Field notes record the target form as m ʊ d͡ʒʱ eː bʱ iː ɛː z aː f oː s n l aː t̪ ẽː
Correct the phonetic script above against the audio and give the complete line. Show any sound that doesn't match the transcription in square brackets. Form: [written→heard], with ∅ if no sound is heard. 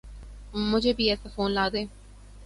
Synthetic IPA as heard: m ʊ d͡ʒʱ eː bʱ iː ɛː [z→s] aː f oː [s→∅] n l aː [t̪→d̪] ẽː